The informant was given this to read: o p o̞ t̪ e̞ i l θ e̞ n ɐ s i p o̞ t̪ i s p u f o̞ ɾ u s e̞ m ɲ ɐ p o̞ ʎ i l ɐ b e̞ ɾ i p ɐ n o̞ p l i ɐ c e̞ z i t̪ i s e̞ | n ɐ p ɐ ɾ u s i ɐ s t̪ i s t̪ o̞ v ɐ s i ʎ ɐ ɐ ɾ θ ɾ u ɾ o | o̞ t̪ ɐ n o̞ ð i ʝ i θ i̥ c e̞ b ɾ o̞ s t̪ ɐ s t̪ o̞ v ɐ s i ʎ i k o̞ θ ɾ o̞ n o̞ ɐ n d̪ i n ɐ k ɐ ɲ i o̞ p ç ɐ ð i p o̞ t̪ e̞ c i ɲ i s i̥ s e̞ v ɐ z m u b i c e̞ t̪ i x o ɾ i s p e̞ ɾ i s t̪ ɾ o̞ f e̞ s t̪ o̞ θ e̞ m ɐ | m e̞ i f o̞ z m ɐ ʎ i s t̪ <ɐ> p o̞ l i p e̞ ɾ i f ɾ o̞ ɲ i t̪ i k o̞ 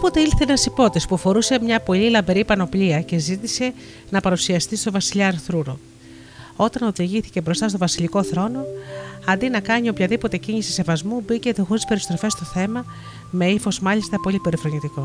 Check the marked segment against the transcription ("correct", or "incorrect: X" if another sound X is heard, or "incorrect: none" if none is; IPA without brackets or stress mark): correct